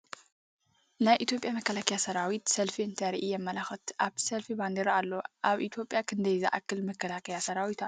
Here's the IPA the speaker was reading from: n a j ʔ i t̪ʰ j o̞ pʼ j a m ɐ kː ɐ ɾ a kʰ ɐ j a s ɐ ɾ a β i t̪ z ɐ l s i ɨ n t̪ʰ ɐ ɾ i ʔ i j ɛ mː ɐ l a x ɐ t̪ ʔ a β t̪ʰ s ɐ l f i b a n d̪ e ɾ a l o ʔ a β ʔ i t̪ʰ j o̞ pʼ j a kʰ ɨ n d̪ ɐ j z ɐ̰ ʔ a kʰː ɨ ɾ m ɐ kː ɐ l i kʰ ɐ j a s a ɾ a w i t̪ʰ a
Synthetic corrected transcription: n a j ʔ i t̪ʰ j o̞ pʼ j a m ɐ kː ɐ l a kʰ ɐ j a s ɐ ɾ a w i t̪ s ɐ l f i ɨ n t̪ʰ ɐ ɾ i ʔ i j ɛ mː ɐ l a x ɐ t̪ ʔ a β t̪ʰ s ɐ l f i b a n d̪ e ɾ a lː o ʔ a β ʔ i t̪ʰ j o̞ pʼ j a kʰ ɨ n d̪ ɐ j z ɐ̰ ʔ a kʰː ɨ l m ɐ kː ɐ l a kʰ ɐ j a s ɐ ɾ a w i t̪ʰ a